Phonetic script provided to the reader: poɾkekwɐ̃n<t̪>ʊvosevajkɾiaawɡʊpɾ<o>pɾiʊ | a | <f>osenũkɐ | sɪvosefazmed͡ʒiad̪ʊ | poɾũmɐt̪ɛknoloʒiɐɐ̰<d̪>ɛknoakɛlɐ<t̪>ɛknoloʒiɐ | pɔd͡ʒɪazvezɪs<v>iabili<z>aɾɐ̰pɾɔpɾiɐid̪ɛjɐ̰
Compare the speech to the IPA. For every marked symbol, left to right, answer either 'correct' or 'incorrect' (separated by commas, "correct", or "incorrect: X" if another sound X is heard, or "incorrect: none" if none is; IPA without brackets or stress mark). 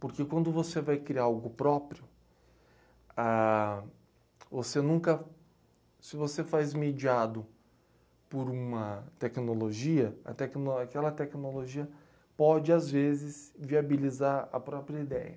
incorrect: d̪, incorrect: ɔ, incorrect: v, incorrect: t̪, correct, correct, correct